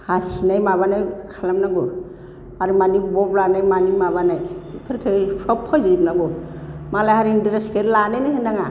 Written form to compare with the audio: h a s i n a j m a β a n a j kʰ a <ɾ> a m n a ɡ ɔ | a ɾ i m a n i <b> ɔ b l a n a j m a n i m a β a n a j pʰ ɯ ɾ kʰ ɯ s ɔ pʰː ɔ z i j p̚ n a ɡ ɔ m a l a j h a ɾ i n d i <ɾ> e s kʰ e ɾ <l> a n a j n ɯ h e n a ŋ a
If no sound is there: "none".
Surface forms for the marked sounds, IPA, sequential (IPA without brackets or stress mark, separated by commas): l, b, ɾ, l